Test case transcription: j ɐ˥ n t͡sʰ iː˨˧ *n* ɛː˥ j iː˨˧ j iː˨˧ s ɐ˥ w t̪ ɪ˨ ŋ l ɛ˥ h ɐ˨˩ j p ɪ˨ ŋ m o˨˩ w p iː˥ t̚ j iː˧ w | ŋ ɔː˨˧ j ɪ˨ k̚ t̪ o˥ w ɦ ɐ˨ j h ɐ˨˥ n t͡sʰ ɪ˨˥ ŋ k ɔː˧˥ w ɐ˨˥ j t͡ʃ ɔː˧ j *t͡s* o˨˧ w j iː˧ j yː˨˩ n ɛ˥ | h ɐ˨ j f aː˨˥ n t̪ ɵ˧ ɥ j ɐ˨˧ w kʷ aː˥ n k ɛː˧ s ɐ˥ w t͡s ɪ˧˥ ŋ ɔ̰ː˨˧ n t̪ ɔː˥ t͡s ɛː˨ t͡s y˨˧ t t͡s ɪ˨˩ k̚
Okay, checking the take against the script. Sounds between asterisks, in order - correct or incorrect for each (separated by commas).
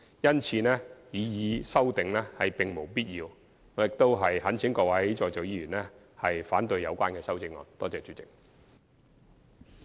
correct, correct